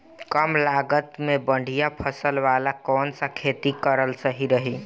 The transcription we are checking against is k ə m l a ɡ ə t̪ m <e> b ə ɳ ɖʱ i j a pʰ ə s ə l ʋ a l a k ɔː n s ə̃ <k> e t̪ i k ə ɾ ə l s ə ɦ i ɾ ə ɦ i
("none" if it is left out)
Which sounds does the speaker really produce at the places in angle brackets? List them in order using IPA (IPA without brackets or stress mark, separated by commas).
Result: e, kʰ